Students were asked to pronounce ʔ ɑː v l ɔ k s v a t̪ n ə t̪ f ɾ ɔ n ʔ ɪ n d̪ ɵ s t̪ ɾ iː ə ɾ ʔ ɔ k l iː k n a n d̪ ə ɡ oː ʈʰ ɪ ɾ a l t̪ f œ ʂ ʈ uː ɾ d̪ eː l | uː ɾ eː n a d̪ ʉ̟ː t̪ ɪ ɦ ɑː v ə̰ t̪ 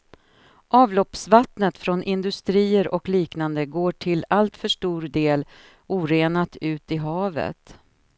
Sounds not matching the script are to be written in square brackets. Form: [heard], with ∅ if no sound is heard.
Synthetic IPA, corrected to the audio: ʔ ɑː v l ɔ [p] s v a t̪ n ə t̪ f ɾ ɔ n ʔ ɪ n d̪ ɵ s t̪ ɾ iː ə ɾ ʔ ɔ k l iː k n a n d̪ ə ɡ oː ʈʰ ɪ [l] a l t̪ f œ ʂ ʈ uː ɾ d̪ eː l | uː ɾ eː n a [t̪] ʉ̟ː t̪ ɪ ɦ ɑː v ə̰ t̪